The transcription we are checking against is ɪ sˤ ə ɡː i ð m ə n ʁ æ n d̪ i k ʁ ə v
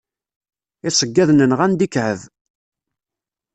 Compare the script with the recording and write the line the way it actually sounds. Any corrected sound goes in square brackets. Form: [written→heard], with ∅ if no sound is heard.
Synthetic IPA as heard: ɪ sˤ ə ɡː [i→æ] ð [m→n] ə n ʁ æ n d̪ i k [ʁ→ʕ] ə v

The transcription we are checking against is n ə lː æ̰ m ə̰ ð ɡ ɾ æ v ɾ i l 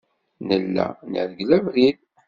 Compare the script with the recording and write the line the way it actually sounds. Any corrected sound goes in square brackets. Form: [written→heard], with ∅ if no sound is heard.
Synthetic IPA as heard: n ə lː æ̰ [m→n] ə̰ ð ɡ [ɾ→l] æ v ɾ i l

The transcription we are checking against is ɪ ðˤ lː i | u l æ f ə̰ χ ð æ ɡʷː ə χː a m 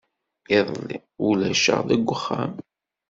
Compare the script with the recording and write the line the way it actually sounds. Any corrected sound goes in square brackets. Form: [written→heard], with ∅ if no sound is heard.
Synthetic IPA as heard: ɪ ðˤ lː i | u l æ [f→ʃ] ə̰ [χ→ʁ] ð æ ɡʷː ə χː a m

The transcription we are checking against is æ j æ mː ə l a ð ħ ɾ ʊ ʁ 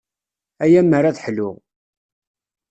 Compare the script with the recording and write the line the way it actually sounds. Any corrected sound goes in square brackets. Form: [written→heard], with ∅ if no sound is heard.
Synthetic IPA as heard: æ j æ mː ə [l→ɾ] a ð ħ [ɾ→l] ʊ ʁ

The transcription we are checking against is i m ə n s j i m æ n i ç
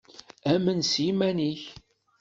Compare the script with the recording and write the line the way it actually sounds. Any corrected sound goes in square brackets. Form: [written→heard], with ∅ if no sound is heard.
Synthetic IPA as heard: [i→æ] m ə n s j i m æ n i ç

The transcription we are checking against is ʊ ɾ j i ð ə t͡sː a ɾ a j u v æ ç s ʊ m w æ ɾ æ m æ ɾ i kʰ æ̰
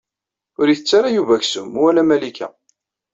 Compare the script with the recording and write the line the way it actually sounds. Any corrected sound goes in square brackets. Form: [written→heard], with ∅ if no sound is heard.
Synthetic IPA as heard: ʊ ɾ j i [ð→θ] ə t͡sː a ɾ a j u v æ ç s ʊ m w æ [ɾ→l] æ m æ [ɾ→l] i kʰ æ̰

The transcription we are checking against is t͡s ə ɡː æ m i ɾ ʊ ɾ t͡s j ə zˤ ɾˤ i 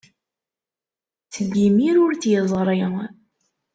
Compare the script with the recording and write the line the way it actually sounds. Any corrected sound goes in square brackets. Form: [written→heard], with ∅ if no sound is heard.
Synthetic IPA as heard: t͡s ə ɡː [æ→i] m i ɾ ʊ ɾ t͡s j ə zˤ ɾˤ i

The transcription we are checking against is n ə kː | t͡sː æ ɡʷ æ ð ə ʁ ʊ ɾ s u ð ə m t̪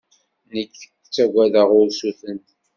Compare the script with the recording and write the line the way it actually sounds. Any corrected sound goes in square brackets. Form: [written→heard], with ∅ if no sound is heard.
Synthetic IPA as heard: n ə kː | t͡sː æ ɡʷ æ ð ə ʁ ʊ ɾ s u [ð→θ] ə [m→n] t̪

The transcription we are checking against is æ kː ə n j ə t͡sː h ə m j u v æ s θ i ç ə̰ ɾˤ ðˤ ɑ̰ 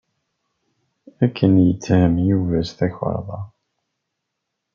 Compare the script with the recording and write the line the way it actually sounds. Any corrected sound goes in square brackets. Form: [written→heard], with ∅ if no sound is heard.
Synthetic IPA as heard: æ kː ə n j ə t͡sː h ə m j u v æ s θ [i→æ] ç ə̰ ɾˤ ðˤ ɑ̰

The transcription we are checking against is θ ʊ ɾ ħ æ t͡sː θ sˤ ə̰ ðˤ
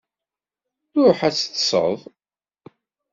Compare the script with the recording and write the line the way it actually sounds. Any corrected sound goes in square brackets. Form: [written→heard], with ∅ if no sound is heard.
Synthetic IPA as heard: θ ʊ ɾ ħ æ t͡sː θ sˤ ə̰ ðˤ

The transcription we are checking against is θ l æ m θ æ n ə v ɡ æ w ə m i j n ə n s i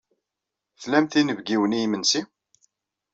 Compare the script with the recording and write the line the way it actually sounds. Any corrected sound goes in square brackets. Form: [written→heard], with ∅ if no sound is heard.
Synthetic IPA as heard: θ l æ m θ [æ→i] n ə v ɡ [æ→i] w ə [m→n] i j [n→m] ə n s i

